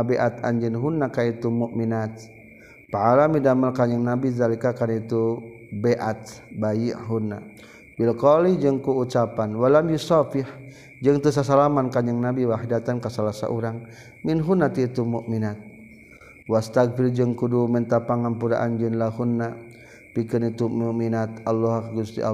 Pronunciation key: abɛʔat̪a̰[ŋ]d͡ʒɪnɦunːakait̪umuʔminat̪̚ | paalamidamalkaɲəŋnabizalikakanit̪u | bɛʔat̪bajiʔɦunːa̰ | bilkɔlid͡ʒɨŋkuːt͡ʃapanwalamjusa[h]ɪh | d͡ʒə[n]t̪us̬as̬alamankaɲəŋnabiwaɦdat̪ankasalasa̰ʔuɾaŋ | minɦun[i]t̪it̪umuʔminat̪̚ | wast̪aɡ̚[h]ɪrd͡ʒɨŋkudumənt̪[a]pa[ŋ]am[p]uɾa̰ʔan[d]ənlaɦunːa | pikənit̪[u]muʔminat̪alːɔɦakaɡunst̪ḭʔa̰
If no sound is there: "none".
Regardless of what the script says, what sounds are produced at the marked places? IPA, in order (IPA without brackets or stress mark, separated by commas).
ɲ, f, ŋ, a, f, a, ŋ, p, d͡ʒ, u